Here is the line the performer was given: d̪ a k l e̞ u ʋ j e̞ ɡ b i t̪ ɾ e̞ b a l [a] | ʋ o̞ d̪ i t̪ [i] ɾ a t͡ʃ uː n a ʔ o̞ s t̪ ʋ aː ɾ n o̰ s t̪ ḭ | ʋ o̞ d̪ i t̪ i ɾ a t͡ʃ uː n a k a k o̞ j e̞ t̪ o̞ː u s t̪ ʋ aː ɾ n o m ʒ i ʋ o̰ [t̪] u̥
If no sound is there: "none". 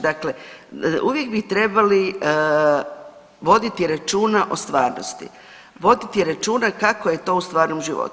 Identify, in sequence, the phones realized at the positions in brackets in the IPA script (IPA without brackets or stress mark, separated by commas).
i, i, t̪